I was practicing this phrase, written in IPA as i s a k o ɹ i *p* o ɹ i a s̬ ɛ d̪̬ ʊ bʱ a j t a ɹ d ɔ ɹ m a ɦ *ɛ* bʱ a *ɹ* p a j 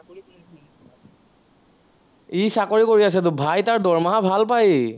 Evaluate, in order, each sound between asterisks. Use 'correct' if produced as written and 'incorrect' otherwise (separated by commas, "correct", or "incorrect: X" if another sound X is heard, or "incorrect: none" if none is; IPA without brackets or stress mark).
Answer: incorrect: k, incorrect: a, incorrect: l